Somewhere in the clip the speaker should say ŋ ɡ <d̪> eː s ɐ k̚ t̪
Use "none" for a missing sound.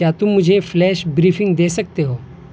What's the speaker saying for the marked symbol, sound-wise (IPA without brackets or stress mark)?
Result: d̪